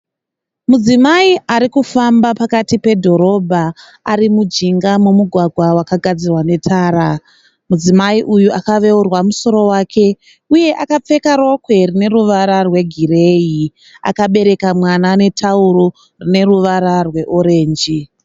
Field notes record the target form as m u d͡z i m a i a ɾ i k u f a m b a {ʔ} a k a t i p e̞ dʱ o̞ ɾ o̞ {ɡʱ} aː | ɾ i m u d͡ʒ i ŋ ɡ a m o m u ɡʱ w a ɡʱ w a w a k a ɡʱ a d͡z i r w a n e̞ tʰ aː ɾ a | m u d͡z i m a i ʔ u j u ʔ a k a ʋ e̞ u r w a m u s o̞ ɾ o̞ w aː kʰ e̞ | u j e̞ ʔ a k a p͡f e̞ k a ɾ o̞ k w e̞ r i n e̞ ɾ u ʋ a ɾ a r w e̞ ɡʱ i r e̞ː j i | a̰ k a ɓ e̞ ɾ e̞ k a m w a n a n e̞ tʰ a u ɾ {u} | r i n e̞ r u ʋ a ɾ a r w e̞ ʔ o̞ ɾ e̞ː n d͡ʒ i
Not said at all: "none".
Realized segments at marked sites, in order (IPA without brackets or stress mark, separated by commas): p, bʱ, o